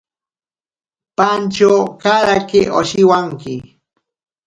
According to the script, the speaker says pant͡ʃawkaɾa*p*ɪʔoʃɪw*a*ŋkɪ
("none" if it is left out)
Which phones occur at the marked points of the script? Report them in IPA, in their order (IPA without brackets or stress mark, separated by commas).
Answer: k, a